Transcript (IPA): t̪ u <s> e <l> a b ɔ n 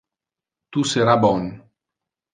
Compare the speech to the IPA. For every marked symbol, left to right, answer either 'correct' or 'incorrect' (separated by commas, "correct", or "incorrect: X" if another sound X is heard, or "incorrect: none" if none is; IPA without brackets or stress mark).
correct, incorrect: ɾ